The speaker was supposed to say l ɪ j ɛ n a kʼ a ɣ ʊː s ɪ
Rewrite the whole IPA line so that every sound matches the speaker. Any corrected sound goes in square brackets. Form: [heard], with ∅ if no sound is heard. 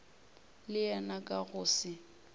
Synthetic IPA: l ɪ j ɛ n a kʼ a ɣ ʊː s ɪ